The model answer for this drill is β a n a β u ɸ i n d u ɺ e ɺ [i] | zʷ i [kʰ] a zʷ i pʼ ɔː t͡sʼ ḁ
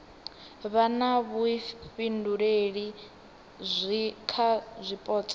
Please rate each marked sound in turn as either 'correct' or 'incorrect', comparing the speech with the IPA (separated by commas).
correct, correct